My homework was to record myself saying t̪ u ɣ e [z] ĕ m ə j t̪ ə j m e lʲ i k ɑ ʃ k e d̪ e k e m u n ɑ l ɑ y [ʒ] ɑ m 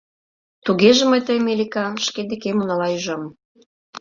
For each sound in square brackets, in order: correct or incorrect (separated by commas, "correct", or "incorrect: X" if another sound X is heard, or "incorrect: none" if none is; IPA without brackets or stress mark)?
incorrect: ʒ, correct